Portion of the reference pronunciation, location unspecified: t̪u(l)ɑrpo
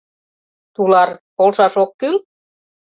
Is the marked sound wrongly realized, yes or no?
no